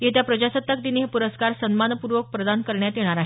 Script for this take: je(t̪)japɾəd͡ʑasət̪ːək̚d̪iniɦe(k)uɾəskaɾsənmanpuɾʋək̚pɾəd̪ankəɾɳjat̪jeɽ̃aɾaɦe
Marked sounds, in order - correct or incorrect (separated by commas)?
correct, incorrect